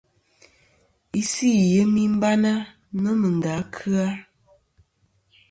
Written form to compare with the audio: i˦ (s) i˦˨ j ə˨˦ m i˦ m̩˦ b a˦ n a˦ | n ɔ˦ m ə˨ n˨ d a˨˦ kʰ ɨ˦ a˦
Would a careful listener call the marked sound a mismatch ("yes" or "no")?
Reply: no